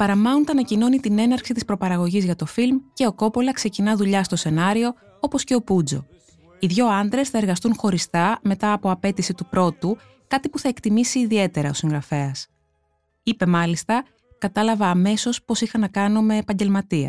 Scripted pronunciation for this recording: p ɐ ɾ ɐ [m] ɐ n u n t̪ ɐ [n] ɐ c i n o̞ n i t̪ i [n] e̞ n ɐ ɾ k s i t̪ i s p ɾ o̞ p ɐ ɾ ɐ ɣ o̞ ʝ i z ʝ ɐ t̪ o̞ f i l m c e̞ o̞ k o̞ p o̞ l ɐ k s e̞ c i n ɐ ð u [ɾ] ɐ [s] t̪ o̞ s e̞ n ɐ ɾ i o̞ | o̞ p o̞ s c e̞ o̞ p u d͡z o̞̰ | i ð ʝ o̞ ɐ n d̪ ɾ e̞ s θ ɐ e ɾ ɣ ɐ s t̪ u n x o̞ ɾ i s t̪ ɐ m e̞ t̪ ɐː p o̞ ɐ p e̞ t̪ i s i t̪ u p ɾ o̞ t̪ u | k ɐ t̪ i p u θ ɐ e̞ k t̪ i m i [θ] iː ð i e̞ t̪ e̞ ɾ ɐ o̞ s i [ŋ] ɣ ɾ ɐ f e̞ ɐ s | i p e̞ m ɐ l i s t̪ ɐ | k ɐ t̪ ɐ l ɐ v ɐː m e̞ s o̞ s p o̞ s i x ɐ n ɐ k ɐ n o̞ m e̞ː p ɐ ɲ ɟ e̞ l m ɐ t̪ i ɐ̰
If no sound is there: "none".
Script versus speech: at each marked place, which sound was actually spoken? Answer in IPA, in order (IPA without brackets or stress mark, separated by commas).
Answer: m, n, n, ʎ, s, s, ŋ